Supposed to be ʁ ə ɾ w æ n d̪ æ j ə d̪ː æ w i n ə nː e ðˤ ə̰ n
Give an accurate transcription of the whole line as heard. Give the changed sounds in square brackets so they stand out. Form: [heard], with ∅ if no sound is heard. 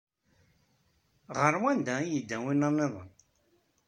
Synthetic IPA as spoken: ʁ ə ɾ w æ n d̪ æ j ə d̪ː æ w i n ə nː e ðˤ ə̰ n